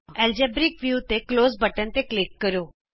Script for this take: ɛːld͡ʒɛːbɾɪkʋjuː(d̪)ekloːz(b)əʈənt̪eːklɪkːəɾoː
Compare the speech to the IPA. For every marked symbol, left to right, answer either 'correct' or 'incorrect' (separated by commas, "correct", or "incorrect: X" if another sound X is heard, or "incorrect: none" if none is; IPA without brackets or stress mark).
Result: incorrect: t̪, correct